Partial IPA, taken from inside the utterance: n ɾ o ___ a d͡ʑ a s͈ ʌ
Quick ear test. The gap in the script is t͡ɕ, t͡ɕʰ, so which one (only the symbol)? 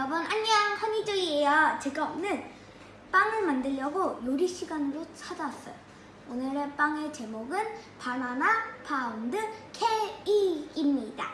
t͡ɕʰ